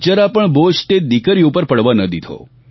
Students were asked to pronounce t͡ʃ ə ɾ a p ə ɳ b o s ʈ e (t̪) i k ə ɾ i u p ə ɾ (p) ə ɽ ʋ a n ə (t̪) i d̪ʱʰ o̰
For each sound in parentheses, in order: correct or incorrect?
incorrect, correct, incorrect

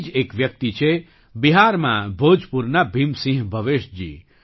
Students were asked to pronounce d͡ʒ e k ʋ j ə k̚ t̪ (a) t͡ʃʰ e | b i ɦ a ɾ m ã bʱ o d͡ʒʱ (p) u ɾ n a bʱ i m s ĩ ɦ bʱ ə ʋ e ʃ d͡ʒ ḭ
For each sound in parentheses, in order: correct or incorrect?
incorrect, correct

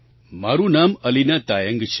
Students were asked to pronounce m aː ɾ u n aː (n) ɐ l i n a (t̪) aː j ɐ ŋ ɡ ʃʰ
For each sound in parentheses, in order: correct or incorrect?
incorrect, correct

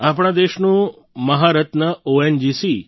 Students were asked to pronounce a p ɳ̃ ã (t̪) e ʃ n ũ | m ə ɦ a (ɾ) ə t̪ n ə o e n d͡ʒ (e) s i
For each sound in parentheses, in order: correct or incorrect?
incorrect, correct, incorrect

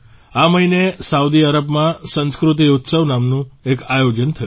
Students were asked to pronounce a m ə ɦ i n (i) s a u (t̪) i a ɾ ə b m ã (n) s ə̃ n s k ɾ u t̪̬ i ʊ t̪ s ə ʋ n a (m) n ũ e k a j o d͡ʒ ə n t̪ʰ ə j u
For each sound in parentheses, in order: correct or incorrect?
incorrect, incorrect, incorrect, correct

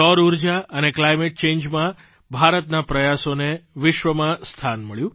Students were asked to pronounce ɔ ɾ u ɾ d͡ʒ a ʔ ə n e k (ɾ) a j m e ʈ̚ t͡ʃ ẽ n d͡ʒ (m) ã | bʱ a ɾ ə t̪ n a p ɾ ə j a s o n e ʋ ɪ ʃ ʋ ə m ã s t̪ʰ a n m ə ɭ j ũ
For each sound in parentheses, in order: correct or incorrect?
incorrect, correct

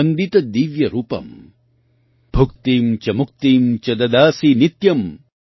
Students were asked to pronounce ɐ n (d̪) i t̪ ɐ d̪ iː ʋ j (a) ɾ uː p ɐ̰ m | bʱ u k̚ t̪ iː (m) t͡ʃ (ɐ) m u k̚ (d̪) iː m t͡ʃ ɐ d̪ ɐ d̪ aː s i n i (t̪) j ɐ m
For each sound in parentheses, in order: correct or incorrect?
correct, incorrect, correct, correct, incorrect, correct

